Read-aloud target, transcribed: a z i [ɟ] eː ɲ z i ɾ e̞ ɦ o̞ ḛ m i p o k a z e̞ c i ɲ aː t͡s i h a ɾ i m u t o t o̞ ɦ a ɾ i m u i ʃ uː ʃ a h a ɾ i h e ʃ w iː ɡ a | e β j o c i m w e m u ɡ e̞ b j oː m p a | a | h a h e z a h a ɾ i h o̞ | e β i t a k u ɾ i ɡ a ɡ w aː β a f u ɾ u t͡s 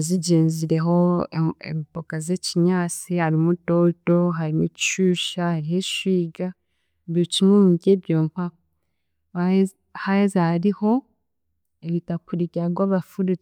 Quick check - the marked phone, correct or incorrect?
correct